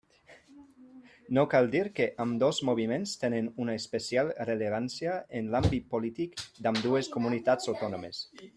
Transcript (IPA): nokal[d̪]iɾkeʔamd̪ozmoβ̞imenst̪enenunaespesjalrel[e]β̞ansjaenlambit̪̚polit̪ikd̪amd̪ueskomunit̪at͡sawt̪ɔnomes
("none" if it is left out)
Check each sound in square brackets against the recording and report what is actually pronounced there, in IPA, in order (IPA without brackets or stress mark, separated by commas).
d̪, e